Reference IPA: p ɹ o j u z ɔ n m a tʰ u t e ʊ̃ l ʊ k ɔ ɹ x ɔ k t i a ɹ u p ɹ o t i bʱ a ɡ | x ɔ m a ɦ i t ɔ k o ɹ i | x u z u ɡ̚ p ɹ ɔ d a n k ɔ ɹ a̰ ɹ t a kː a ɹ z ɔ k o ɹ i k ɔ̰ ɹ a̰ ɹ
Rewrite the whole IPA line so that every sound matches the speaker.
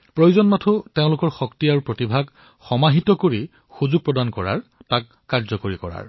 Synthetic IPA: p ɹ o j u z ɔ n m a tʰ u t e ʊ̃ l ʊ k ɔ ɹ x ɔ k t i a ɹ u p ɹ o t i bʱ a ɡ | x ɔ m a ɦ i t ɔ k o ɹ i | x u z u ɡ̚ p ɹ ɔ d a n k ɔ ɹ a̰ ɹ t a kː a ɹ z ɔ k o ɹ i k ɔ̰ ɹ a̰ ɹ